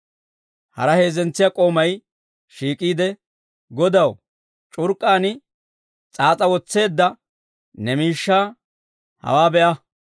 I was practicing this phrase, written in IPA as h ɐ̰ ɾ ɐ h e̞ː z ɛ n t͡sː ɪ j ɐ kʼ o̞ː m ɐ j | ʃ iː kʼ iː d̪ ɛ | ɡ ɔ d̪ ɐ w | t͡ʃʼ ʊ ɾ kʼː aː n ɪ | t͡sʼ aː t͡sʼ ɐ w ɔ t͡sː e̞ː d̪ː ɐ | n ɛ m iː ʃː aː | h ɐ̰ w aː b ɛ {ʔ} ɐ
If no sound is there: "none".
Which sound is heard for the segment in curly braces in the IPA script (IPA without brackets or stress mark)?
ʔ